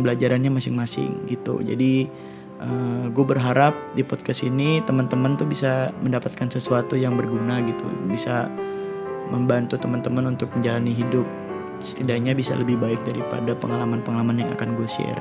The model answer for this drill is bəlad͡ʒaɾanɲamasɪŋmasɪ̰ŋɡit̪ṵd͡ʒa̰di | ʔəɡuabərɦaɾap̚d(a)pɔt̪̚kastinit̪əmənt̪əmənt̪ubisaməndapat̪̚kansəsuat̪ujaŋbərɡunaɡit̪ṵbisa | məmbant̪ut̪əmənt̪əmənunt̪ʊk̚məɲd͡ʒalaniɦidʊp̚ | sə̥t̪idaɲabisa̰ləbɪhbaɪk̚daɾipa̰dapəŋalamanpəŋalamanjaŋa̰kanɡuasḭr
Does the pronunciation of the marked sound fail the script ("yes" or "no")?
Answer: yes